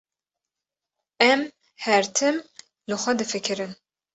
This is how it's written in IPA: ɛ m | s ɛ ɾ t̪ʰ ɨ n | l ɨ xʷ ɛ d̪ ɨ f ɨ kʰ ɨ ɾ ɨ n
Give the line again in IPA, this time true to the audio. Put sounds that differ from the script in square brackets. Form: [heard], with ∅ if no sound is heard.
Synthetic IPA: ɛ m | [h] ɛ ɾ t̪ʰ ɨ [m] | l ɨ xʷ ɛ d̪ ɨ f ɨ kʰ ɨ ɾ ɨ n